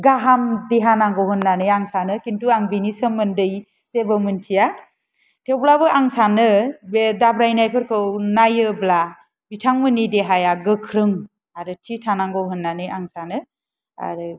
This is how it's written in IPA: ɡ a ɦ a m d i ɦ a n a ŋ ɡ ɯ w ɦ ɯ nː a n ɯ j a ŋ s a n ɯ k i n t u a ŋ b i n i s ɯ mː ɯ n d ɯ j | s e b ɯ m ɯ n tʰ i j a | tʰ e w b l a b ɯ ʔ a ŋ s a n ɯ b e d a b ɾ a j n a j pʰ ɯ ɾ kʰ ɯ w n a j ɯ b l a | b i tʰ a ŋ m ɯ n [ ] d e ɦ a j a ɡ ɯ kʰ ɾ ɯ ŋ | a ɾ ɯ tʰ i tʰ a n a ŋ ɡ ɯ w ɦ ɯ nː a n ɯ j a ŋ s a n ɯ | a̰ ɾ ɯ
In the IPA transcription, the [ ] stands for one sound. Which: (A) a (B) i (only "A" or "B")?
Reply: B